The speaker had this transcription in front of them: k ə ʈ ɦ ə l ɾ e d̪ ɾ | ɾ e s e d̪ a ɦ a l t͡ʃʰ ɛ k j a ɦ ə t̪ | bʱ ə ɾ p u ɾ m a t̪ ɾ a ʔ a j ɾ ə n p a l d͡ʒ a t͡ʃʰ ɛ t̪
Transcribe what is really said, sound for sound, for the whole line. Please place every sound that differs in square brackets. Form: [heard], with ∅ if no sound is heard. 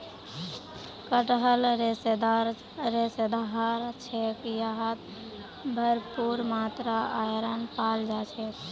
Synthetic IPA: k ə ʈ ɦ ə l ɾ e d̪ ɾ | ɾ e s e d̪ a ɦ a [ɾ] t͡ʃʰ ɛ k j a ɦ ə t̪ | bʱ ə ɾ p u ɾ m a t̪ ɾ a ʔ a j ɾ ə n p a l d͡ʒ a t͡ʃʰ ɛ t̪